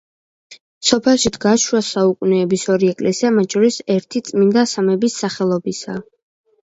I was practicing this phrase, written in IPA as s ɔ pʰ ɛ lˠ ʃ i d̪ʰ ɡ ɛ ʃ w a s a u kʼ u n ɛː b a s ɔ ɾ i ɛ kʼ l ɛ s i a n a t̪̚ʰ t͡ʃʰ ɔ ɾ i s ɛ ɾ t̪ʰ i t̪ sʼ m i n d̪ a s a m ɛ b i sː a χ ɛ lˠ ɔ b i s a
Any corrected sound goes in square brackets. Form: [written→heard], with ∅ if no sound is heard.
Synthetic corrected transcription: s ɔ pʰ ɛ lˠ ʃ i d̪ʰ ɡ [ɛ→a] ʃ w a s a u kʼ u n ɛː b [a→i] s ɔ ɾ i ɛ kʼ l ɛ s i a [n→m] a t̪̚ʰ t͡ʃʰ ɔ ɾ i s ɛ ɾ t̪ʰ i t̪ sʼ m i n d̪ a s a m ɛ b i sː a χ ɛ lˠ ɔ b i s a